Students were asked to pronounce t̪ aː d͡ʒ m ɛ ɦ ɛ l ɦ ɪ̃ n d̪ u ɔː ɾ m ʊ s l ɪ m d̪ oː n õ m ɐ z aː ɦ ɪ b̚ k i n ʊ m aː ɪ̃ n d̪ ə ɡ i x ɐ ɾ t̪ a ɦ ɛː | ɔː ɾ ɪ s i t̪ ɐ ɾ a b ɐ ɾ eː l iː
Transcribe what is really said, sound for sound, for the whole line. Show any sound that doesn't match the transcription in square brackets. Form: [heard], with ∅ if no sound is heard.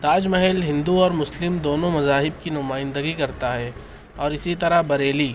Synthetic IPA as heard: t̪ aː d͡ʒ m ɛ ɦ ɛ l ɦ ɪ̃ n d̪ u ɔː ɾ m ʊ s l ɪ m d̪ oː n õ m ɐ z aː ɦ ɪ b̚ k i n ʊ m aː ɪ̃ n d̪ ə ɡ i [k] ɐ ɾ t̪ a ɦ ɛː | ɔː ɾ ɪ s i t̪ ɐ ɾ a b ɐ ɾ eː l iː